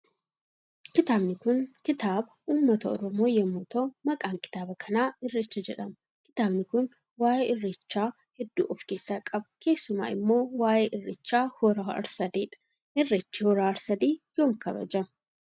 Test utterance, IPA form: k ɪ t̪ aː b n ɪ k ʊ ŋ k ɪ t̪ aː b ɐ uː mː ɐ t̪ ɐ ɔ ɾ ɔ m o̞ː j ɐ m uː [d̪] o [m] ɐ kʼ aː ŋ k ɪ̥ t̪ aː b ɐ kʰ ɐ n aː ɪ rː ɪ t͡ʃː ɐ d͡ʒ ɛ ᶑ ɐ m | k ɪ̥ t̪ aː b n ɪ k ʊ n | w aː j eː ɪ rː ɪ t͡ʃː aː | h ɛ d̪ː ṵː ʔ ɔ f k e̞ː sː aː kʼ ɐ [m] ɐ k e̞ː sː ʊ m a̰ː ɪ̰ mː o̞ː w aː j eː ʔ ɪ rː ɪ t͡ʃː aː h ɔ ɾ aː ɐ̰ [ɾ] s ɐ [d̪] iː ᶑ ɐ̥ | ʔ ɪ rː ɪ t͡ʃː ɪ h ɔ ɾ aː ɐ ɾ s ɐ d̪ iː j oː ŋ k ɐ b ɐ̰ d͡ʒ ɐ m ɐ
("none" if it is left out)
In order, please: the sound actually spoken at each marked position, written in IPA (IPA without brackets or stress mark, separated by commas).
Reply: t̪, m, b, ɾ, d̪